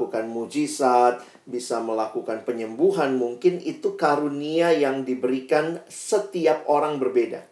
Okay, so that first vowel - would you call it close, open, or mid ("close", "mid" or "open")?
close